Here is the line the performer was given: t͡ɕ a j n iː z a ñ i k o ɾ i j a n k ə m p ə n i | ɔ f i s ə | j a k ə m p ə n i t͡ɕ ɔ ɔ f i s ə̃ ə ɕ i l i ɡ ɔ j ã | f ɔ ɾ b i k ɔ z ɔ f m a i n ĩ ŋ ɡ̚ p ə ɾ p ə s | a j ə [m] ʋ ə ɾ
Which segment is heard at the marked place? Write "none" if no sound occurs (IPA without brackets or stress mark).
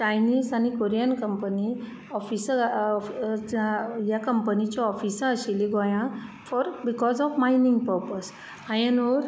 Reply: n